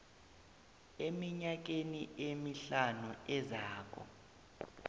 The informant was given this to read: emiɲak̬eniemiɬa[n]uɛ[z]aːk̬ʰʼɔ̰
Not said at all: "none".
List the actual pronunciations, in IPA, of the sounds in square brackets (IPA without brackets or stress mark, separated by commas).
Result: n, z